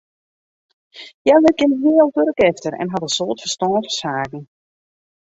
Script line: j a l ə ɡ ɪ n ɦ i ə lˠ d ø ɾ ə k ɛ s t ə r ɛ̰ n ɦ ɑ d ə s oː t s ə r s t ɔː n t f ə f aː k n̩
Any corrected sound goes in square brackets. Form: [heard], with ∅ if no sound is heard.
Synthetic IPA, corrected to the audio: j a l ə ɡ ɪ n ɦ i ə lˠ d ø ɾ ə k ɛ [f] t ə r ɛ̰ n ɦ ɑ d ə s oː t [f] ə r s t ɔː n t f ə [s] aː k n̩